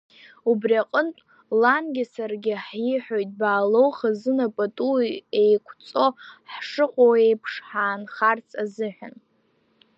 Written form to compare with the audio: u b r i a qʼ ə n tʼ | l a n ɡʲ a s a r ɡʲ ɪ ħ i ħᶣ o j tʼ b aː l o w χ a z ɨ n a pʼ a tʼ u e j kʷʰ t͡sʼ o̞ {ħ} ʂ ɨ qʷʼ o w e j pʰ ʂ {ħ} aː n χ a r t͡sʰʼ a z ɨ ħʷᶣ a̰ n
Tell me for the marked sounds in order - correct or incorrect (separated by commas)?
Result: correct, correct